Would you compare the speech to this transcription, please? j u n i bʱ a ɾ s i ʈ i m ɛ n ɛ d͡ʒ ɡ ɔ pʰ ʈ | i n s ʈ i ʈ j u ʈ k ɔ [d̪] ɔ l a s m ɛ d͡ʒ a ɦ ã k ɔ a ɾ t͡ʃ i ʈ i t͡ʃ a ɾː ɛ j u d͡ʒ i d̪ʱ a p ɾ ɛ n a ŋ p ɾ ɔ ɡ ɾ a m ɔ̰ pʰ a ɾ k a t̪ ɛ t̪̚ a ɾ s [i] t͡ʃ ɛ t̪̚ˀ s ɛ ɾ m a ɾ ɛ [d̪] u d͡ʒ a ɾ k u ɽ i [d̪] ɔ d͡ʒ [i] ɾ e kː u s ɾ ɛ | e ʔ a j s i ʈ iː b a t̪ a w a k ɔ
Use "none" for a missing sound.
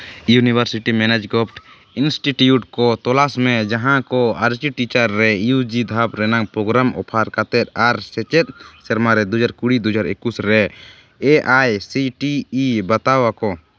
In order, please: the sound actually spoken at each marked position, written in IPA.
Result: t̪, ɛ, d̪, d̪, a

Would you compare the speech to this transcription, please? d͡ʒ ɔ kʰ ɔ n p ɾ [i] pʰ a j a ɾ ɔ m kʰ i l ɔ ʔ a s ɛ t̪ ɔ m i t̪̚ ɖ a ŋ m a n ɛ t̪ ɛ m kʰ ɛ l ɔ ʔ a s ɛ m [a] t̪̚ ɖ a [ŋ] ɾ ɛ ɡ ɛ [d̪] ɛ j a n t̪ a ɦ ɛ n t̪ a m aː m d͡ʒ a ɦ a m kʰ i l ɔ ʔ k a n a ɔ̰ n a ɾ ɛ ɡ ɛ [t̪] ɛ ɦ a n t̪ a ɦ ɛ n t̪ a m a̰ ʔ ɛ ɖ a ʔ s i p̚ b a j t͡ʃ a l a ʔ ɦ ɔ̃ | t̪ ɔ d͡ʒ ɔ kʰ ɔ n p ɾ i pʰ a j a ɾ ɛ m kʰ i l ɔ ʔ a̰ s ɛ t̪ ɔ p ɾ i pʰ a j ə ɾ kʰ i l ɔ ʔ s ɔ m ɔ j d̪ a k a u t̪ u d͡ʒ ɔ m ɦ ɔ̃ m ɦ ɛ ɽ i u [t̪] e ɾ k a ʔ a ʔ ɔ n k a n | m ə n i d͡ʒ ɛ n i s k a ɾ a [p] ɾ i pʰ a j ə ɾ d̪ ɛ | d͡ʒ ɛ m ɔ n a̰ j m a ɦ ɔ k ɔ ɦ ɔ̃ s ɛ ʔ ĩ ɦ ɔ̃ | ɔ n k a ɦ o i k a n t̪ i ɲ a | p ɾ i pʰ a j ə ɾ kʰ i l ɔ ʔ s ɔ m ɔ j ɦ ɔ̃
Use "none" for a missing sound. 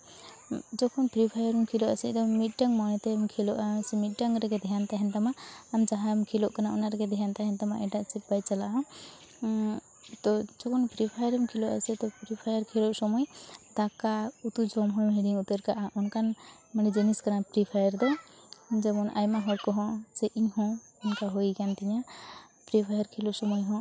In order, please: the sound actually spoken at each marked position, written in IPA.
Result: i, i, ŋ, d̪, d̪, t̪, p

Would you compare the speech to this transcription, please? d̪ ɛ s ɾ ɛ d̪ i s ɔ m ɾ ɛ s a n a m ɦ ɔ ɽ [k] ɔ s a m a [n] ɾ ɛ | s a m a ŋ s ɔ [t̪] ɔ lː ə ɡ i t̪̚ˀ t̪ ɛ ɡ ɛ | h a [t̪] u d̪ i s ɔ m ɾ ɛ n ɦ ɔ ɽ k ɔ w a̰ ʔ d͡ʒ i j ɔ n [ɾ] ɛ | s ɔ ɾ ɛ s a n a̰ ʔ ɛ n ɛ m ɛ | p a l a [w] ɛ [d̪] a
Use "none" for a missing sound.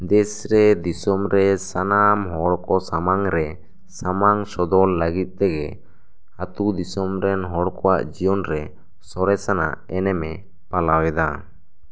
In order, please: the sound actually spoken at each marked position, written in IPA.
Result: k, ŋ, d̪, t̪, ɾ, w, d̪

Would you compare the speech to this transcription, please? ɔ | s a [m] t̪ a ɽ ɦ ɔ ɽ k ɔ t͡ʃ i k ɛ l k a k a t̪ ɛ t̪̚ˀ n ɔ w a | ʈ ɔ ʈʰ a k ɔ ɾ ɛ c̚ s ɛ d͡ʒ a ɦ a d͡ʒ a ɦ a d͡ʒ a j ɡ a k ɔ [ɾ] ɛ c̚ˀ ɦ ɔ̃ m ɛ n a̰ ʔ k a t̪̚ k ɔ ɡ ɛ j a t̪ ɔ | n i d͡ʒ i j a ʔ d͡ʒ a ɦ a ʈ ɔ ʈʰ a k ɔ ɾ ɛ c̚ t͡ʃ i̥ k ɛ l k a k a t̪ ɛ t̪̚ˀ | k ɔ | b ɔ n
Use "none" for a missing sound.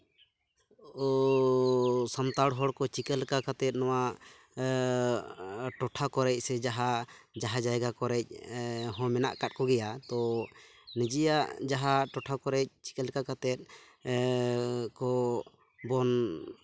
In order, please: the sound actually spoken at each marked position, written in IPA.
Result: m, ɾ

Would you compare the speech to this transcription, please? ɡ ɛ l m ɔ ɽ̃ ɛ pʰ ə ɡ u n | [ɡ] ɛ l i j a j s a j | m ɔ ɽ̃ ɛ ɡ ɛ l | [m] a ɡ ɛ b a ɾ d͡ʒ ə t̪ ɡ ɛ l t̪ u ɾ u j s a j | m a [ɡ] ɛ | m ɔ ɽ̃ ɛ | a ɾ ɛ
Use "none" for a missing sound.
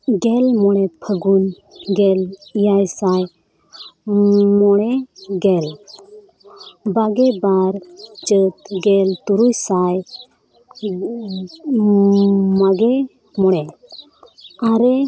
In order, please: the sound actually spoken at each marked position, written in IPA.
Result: ɡ, b, ɡ

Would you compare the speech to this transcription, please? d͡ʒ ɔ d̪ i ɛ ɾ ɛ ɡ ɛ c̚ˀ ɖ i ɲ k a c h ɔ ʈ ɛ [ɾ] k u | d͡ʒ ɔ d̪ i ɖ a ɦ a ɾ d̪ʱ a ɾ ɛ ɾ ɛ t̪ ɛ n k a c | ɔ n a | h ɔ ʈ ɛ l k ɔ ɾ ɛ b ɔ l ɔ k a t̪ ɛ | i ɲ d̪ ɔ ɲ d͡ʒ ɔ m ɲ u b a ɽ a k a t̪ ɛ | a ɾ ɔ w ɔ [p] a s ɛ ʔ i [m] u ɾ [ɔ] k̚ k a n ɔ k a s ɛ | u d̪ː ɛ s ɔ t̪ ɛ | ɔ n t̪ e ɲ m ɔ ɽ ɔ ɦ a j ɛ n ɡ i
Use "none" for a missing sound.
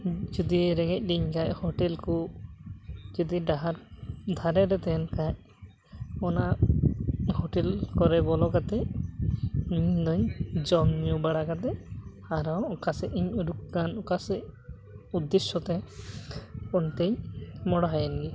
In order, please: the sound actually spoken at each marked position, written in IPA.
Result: l, k, ɲ, u

